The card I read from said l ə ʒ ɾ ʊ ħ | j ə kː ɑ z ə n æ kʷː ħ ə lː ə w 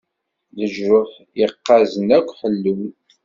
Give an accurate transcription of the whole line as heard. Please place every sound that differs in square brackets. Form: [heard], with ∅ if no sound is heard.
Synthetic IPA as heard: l ə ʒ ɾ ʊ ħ | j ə [qː] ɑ z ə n æ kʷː ħ ə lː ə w